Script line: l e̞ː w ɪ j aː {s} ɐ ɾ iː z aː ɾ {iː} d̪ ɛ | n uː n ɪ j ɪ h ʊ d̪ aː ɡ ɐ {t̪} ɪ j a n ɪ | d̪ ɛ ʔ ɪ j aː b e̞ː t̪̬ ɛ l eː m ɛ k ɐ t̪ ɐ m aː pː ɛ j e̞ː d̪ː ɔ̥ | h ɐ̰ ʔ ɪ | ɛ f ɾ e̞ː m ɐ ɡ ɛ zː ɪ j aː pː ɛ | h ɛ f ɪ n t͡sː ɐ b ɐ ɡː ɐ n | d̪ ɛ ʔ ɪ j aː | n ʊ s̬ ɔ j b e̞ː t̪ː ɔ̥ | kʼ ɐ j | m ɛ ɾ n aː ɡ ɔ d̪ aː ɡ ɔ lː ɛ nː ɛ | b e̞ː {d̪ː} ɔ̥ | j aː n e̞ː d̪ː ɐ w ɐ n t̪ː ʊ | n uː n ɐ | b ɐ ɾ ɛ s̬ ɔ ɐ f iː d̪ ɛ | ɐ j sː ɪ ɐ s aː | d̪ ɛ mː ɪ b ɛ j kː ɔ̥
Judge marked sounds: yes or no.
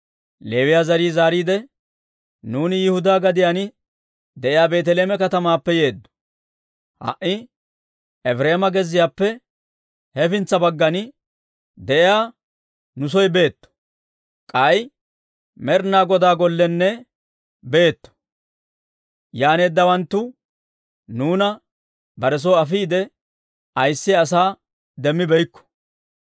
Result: no, yes, no, no

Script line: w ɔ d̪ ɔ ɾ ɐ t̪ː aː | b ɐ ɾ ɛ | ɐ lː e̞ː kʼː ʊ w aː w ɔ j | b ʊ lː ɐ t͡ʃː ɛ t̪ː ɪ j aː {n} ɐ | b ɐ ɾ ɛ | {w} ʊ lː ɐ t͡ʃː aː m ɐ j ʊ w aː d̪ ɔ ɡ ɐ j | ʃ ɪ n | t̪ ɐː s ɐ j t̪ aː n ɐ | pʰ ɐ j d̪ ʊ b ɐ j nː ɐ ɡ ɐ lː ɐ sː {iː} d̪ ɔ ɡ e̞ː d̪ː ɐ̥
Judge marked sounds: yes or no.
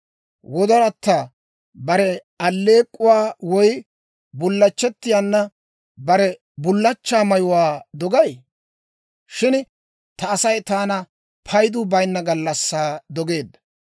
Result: no, no, no

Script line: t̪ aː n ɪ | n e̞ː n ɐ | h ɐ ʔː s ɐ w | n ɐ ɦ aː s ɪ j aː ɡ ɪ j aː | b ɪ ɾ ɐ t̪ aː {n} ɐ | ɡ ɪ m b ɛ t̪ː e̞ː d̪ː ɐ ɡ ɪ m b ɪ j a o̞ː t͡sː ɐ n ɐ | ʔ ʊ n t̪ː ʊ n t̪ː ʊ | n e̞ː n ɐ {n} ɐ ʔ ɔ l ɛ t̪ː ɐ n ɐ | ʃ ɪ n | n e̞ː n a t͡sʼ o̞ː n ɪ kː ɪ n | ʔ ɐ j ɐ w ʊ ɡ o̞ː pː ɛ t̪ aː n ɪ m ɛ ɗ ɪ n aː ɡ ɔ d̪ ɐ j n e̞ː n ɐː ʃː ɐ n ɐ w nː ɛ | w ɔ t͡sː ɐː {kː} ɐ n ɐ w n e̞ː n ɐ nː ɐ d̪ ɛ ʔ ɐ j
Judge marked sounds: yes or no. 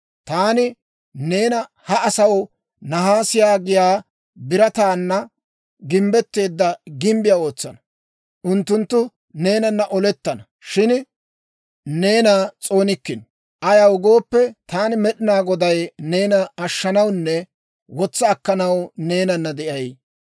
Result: no, no, yes

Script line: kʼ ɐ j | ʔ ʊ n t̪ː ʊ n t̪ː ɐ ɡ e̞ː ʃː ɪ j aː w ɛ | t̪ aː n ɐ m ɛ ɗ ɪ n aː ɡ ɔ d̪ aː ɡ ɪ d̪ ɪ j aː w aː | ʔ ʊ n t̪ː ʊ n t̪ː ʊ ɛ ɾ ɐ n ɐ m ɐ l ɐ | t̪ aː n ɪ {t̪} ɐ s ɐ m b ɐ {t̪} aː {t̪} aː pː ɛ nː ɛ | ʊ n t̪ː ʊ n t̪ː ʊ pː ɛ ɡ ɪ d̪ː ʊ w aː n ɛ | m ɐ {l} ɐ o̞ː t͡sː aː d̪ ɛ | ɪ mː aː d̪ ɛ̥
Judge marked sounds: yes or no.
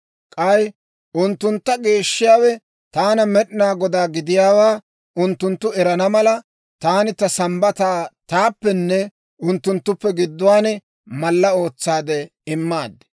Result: yes, yes, yes, no

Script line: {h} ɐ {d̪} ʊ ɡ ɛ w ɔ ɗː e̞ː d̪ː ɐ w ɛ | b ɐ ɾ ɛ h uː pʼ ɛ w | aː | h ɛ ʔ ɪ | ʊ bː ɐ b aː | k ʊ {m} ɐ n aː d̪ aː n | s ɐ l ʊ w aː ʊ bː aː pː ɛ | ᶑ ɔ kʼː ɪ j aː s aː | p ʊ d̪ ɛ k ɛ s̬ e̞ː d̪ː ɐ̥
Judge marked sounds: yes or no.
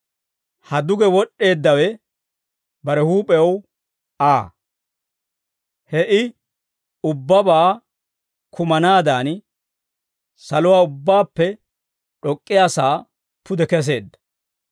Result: yes, yes, yes

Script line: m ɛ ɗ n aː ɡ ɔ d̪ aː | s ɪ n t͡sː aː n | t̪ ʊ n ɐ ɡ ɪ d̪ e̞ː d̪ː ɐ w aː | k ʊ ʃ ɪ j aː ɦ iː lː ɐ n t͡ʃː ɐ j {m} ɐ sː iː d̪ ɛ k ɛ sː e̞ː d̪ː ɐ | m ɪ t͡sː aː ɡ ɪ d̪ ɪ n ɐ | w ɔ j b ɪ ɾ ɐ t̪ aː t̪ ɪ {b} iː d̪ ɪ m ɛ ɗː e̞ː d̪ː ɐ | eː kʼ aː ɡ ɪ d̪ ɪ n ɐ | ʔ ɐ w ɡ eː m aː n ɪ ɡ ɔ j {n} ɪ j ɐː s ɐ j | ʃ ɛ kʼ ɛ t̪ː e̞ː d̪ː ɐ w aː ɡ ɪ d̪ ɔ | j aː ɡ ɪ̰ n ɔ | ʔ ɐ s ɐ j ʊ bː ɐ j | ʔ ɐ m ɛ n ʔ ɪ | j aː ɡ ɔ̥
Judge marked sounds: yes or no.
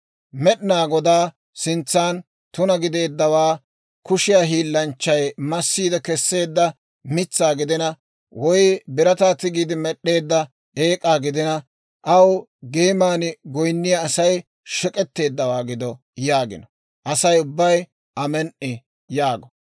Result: yes, no, no

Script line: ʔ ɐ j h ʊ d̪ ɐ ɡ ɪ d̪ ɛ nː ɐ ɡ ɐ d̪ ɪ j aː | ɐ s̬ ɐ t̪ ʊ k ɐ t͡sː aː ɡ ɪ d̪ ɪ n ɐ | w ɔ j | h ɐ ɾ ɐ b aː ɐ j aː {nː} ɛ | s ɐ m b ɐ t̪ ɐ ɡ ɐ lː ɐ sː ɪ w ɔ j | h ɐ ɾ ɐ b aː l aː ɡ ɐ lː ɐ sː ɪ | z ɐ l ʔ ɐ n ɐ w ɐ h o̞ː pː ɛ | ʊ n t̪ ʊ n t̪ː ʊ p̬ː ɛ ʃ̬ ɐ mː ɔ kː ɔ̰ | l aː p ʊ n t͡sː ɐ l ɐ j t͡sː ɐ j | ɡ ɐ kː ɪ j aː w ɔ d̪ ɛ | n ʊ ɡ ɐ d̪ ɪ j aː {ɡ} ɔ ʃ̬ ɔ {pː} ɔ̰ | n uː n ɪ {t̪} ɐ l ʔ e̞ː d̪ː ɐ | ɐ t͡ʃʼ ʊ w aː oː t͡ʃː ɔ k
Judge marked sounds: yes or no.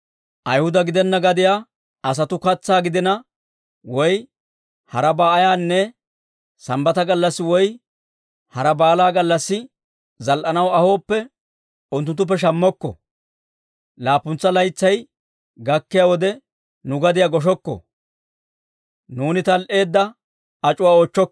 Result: yes, yes, no, yes

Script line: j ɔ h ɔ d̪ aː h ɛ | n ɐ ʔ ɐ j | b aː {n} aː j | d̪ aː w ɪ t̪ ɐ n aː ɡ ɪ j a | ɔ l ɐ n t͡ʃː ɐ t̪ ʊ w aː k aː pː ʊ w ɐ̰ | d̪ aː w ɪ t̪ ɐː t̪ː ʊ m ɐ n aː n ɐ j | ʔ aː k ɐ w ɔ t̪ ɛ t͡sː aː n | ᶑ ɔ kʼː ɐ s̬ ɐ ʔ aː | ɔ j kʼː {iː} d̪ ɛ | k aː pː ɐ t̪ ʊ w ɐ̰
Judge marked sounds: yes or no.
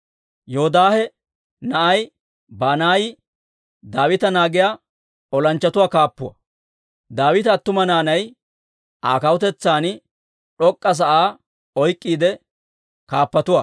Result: yes, yes

